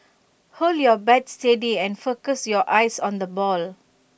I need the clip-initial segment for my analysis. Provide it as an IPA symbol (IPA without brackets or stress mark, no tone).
h